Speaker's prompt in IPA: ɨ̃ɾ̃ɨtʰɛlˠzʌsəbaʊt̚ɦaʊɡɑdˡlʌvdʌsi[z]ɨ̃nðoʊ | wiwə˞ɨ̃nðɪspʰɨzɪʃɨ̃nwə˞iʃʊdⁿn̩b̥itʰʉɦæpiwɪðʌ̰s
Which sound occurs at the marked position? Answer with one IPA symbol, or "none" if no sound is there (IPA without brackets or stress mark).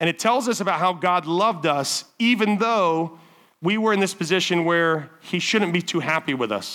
v